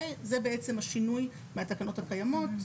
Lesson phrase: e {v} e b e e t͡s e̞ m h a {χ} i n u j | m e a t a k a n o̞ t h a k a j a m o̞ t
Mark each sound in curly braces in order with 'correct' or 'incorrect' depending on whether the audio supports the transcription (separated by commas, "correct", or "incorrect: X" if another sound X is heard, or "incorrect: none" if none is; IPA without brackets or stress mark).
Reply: incorrect: z, incorrect: ʃ